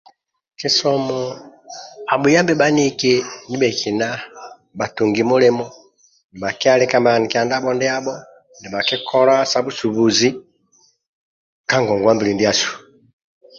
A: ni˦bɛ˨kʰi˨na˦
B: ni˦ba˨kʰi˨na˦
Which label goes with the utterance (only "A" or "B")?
A